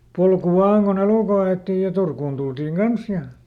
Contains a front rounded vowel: no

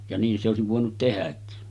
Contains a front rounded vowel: no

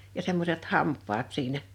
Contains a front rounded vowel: no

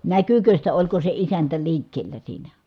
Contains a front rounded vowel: yes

